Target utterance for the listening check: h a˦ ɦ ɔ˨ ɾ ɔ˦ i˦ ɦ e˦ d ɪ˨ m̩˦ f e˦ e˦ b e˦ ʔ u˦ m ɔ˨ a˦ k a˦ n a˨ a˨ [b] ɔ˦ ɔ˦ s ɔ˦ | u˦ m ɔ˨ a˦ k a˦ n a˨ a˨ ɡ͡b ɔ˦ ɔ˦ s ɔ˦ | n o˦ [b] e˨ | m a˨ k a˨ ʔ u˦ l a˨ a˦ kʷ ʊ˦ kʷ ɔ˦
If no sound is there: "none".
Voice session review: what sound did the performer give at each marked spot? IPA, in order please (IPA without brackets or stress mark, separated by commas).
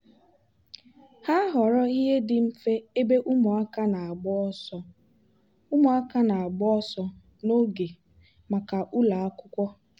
ɡ͡b, ɡ